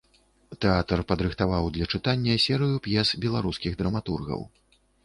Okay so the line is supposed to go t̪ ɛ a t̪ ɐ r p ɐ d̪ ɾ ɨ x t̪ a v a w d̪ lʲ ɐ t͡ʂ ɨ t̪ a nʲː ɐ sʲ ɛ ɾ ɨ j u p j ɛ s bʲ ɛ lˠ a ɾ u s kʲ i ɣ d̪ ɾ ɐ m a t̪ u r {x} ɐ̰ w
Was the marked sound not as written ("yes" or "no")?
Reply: yes